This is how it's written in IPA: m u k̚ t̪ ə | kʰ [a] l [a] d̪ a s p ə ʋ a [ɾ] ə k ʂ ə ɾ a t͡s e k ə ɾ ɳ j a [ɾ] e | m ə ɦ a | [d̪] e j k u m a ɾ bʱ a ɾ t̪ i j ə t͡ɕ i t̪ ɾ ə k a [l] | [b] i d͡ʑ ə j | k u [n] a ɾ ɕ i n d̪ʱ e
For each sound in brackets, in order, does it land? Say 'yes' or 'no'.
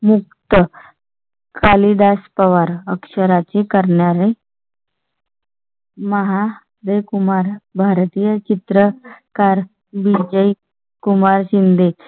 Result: yes, no, yes, yes, yes, no, yes, no

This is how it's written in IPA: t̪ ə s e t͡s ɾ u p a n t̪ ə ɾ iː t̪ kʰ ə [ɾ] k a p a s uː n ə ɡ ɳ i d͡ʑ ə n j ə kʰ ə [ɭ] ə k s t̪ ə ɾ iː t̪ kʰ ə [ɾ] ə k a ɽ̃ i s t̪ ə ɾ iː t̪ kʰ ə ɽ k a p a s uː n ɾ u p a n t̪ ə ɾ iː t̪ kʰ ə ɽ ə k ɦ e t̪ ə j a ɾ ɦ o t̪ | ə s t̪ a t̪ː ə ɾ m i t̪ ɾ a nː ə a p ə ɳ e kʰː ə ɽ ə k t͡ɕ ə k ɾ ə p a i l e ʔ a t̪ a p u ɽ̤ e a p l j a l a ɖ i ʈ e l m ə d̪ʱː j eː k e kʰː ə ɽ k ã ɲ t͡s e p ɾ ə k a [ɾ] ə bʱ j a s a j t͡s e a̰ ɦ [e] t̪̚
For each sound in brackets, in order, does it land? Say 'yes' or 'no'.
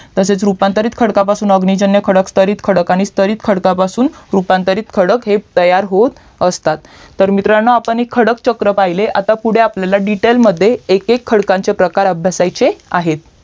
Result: no, no, no, yes, yes

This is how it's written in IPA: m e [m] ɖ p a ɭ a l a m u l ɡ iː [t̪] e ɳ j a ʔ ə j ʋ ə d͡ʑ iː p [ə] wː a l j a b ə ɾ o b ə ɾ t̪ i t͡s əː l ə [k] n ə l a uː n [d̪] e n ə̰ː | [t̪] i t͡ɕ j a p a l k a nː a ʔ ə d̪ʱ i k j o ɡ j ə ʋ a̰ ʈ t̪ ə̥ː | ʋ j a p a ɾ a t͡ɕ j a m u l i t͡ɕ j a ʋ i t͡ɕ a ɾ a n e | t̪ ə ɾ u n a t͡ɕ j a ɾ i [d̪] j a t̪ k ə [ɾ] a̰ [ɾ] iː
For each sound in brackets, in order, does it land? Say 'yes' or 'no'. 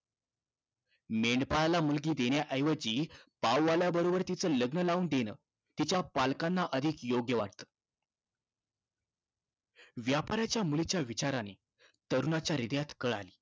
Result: no, no, no, no, yes, yes, yes, no, no

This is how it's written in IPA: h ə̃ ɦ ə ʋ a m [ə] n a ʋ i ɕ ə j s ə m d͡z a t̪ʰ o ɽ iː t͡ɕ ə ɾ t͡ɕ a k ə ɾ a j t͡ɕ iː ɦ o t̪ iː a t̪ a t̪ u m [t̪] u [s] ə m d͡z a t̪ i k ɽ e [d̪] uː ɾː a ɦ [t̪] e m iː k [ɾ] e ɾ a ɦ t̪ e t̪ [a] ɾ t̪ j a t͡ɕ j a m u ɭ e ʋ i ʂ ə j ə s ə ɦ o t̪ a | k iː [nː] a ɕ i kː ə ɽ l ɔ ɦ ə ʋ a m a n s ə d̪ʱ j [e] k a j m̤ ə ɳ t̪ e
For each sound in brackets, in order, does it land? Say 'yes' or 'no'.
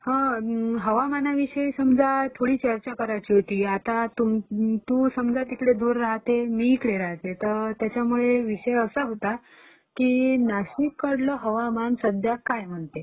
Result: no, yes, yes, yes, yes, no, no, no, no

